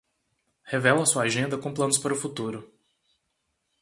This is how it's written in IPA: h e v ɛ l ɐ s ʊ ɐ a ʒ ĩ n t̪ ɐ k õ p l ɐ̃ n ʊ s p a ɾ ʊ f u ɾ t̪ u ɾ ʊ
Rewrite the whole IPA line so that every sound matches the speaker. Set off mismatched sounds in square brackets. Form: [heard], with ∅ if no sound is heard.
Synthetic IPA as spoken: h e v ɛ l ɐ s [u] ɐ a ʒ [ẽ] n [d̪] ɐ k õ p l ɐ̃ n ʊ s p a ɾ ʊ f u [∅] t̪ u ɾ ʊ